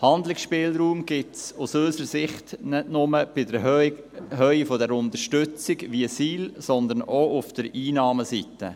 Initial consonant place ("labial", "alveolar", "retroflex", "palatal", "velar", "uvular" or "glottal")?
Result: glottal